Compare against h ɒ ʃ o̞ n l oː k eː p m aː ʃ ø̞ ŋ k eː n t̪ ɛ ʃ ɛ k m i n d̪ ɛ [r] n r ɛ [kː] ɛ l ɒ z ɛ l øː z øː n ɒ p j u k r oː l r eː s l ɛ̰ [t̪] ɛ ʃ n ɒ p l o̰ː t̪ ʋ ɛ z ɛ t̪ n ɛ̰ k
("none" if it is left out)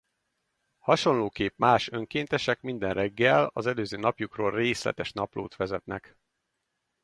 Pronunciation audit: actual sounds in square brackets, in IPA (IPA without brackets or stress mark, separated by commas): none, ɡː, t̪